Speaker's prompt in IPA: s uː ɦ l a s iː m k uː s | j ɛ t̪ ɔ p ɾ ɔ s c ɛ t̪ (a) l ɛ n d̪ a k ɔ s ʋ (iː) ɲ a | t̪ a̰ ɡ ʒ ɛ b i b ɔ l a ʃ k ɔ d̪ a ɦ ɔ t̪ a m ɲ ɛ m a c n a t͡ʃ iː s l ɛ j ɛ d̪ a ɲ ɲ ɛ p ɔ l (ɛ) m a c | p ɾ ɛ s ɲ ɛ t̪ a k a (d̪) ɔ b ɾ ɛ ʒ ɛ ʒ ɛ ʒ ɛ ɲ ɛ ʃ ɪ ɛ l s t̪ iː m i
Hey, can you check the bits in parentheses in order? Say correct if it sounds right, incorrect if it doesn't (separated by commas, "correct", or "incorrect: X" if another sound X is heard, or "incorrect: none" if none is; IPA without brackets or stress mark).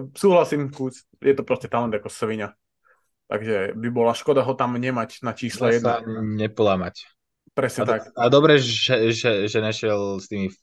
correct, incorrect: i, incorrect: a, correct